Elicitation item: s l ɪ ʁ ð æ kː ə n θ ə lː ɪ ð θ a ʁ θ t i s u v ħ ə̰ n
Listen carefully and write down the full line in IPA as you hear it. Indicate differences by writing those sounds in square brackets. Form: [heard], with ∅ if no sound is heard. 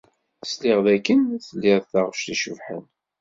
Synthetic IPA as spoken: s l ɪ ʁ ð æ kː ə n θ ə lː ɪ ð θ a ʁ [ʃ] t i [ʃ] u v ħ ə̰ n